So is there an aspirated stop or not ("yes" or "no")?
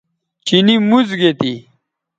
no